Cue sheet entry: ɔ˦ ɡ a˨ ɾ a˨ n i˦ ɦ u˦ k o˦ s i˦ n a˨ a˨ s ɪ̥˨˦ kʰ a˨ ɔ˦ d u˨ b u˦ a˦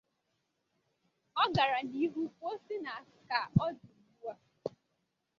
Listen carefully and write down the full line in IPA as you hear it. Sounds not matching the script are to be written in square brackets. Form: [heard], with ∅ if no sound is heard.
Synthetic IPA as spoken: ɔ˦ ɡ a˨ ɾ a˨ n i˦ ɦ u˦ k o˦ s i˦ n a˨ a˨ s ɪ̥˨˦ [k] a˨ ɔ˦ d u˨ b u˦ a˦